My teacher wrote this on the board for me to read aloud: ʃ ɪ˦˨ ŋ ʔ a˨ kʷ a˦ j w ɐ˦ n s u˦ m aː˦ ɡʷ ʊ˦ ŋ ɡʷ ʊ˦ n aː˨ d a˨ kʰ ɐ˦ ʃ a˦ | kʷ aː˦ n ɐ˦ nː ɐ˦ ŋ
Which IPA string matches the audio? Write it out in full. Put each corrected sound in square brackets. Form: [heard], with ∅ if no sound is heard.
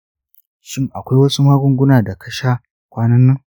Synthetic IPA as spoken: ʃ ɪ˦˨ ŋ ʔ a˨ kʷ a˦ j w ɐ˦ [∅] s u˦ m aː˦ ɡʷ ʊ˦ ŋ ɡʷ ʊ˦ n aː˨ d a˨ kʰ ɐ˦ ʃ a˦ | kʷ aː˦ n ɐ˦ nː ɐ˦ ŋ